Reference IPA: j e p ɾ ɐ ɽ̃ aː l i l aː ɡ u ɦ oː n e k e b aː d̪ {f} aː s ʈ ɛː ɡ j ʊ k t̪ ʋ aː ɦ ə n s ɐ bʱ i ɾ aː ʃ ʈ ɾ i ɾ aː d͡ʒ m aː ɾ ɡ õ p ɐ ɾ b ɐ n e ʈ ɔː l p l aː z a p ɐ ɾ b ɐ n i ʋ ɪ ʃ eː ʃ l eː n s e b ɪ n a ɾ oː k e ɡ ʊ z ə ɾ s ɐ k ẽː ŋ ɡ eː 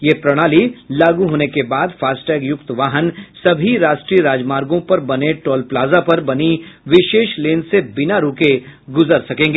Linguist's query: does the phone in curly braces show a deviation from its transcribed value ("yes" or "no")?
no